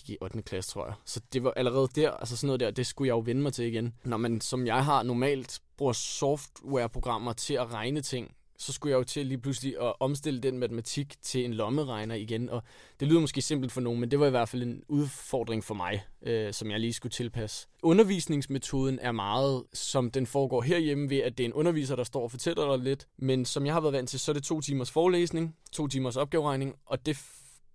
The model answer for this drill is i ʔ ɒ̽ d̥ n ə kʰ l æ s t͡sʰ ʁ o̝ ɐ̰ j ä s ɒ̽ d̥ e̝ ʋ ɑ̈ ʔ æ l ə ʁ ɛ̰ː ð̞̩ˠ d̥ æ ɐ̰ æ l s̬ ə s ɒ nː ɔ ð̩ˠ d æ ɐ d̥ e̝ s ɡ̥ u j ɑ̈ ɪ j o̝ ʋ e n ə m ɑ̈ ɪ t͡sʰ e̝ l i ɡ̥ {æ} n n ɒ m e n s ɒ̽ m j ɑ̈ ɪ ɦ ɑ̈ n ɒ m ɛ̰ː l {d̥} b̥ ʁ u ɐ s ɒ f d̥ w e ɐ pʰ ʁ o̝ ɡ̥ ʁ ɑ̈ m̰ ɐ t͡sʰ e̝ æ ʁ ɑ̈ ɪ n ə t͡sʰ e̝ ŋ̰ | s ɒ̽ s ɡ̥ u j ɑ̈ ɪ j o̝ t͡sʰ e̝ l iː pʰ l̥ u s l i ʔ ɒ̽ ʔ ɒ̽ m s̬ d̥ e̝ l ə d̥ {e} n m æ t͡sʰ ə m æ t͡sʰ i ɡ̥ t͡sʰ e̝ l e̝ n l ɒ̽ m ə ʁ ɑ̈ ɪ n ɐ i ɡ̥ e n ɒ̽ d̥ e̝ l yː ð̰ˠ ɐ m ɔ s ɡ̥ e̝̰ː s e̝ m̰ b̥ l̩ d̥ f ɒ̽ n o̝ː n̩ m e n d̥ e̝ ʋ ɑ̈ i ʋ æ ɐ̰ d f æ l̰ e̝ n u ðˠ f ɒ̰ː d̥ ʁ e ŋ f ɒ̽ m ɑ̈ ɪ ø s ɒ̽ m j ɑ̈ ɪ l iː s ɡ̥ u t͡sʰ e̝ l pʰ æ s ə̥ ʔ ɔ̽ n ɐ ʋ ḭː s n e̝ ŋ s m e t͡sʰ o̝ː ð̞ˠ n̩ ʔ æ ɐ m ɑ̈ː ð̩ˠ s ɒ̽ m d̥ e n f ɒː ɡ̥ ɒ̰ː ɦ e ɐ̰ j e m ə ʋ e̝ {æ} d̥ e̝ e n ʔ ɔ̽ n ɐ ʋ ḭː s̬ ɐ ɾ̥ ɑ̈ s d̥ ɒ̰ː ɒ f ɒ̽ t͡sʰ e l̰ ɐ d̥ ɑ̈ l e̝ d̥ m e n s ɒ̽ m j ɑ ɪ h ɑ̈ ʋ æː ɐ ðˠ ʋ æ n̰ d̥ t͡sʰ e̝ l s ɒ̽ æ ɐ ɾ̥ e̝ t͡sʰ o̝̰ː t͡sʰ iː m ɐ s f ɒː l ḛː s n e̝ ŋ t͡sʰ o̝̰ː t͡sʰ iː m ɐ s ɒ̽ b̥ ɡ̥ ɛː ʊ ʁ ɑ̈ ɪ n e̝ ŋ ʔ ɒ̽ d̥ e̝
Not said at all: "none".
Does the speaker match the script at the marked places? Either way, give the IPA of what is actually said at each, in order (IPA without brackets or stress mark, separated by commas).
e, d̥, e, æ